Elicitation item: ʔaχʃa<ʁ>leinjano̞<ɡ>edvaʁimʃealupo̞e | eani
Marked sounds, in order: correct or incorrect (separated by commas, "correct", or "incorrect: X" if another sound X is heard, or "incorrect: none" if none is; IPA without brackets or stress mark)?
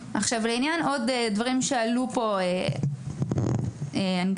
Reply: incorrect: v, incorrect: d